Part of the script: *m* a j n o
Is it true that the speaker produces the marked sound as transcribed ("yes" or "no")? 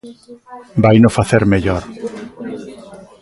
no